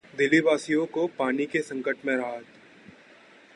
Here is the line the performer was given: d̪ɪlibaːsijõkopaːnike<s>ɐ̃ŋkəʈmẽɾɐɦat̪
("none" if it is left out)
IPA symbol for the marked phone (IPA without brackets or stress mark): s